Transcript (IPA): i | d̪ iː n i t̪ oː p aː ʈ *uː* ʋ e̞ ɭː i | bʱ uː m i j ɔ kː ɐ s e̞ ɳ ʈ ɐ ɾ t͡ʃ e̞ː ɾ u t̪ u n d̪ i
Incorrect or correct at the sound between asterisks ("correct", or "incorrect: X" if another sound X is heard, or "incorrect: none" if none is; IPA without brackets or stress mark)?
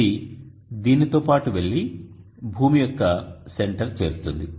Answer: incorrect: u